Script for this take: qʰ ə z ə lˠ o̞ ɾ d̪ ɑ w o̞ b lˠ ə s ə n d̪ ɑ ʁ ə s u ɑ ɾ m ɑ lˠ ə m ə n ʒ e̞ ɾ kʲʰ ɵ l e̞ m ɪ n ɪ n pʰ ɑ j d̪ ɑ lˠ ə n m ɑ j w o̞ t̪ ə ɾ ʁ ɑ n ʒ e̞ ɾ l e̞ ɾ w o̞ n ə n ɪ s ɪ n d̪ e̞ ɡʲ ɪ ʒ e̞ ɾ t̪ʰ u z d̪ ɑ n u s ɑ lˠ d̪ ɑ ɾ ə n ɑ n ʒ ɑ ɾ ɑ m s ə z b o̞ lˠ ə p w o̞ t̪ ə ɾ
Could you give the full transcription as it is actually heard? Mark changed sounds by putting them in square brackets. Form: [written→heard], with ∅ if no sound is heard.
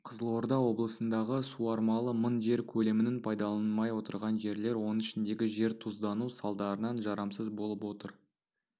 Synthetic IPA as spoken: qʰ ə z ə lˠ o̞ ɾ d̪ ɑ w o̞ b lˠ ə s ə n d̪ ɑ ʁ ə s u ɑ ɾ m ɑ lˠ ə m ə n ʒ e̞ ɾ kʲʰ ɵ l e̞ m ɪ n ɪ n pʰ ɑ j d̪ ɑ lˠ [ə→ɑ] n m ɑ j w o̞ t̪ ə ɾ ʁ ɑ n ʒ e̞ ɾ l e̞ ɾ w o̞ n ə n ɪ [s→ʃ] ɪ n d̪ e̞ ɡʲ ɪ ʒ e̞ ɾ t̪ʰ u z d̪ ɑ n u s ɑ lˠ d̪ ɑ ɾ ə n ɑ n ʒ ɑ ɾ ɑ m s ə z b o̞ lˠ ə p w o̞ t̪ ə ɾ